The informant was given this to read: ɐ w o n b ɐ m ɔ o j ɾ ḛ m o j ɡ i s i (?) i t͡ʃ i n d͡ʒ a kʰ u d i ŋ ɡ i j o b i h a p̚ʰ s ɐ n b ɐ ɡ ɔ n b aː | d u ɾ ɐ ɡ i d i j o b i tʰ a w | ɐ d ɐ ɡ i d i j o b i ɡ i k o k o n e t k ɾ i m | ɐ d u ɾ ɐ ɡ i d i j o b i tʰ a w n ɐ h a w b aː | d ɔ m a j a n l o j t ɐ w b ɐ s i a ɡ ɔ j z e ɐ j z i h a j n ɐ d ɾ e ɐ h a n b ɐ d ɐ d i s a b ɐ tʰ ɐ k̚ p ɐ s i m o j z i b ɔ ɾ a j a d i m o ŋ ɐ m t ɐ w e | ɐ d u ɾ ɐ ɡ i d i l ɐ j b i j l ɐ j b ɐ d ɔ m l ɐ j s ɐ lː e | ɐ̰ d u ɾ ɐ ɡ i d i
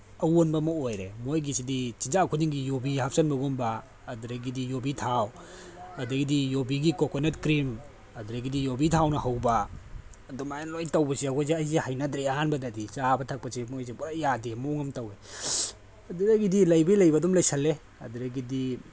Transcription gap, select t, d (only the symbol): d